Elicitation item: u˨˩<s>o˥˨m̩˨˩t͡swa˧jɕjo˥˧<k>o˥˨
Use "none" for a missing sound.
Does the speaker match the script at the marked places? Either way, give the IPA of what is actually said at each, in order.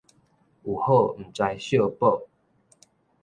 h, p

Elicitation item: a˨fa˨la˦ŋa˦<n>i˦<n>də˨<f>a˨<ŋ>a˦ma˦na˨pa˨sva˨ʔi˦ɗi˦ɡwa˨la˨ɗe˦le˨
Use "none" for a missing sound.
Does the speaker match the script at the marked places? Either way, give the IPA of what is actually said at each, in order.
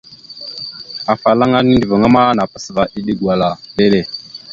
n, n, v, ŋ

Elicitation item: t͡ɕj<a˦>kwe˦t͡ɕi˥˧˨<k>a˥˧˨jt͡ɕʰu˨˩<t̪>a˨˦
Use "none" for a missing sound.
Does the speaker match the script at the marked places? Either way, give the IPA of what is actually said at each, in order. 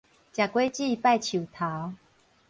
a˨˩, p, t̪ʰ

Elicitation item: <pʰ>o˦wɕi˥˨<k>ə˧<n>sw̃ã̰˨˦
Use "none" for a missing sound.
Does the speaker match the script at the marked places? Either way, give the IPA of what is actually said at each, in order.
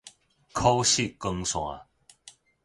kʰ, k, ŋ

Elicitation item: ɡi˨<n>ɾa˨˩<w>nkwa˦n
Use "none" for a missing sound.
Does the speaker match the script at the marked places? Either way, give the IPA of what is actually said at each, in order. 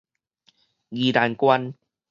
none, none

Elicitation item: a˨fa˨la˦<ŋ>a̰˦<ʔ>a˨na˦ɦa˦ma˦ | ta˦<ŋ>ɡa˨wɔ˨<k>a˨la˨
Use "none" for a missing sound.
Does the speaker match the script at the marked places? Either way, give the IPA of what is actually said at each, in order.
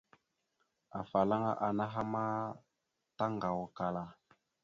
ŋ, ʔ, ŋ, k

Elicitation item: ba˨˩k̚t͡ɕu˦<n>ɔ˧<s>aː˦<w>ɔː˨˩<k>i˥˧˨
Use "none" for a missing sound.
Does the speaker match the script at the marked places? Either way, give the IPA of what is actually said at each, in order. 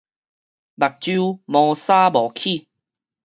m, s, b, kʰ

